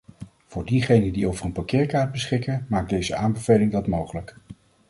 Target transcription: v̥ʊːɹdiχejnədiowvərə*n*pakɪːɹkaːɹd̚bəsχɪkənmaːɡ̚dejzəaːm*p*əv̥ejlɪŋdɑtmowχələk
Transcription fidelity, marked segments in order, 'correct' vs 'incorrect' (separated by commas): correct, incorrect